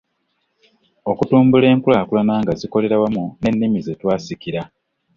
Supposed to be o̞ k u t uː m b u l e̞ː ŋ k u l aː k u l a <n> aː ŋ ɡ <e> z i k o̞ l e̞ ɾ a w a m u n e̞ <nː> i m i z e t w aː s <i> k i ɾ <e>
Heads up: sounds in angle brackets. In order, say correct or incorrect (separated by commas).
correct, incorrect, correct, correct, incorrect